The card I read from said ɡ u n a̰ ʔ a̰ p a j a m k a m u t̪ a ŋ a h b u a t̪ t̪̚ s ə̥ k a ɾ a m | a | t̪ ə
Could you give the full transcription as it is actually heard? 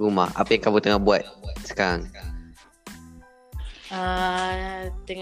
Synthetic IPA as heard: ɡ u m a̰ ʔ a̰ p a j a ŋ k a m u t̪ ə ŋ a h b u a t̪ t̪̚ s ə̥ k a ɾ a ŋ | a | t̪ ə